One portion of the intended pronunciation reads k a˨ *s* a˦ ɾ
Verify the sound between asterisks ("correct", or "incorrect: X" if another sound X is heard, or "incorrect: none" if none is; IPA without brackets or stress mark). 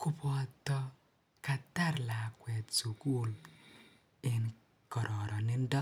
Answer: incorrect: t